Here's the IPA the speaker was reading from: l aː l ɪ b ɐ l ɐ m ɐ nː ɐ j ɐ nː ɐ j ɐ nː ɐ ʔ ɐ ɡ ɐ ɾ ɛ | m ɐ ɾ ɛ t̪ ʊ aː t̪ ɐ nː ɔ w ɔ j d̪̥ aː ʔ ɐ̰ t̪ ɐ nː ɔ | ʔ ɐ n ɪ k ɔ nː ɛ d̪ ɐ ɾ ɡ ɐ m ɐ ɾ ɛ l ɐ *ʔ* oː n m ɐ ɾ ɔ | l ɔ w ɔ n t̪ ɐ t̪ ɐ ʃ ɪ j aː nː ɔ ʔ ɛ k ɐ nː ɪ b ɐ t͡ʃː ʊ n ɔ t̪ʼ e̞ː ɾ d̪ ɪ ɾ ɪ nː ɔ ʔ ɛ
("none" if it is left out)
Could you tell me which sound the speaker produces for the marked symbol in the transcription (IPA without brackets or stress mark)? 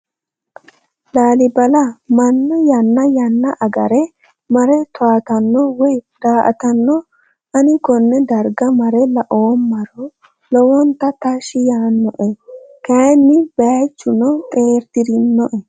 ʔ